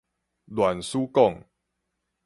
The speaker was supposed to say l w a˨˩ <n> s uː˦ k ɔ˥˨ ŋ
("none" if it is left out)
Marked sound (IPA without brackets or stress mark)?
n